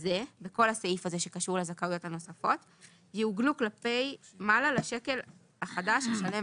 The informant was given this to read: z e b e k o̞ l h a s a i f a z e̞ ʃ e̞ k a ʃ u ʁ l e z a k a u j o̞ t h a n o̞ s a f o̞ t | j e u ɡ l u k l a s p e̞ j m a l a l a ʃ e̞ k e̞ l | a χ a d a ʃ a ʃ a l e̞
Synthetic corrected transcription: z e b e k o̞ l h a s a i f a z e̞ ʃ e̞ k a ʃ u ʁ l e z a k a u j o̞ t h a n o̞ s a f o̞ t | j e u ɡ l u k l a p e̞ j m a l a l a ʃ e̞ k e̞ l | a χ a d a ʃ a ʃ a l e̞